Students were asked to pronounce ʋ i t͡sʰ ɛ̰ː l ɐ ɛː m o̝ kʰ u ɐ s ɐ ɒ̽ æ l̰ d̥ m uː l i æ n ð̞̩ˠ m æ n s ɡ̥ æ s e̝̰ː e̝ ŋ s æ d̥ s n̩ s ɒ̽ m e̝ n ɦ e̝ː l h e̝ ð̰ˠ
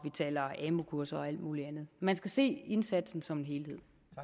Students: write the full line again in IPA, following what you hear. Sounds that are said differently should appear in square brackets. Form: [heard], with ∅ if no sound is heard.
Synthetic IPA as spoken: ʋ i t͡sʰ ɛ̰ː l ɐ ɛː m o̝ kʰ u ɐ s ɐ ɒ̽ æ l̰ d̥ m uː l i æ n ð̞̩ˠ m æ n s ɡ̥ æ s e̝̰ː e̝ [n] s æ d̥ s n̩ s ɒ̽ m e̝ n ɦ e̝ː l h e̝ ð̰ˠ